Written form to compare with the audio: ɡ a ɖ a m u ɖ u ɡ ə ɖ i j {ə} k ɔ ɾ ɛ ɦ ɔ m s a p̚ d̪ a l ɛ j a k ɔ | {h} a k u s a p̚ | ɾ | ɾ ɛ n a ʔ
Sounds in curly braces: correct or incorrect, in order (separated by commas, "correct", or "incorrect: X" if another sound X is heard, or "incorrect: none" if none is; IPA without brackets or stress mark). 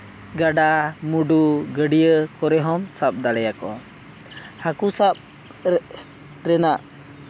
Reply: correct, correct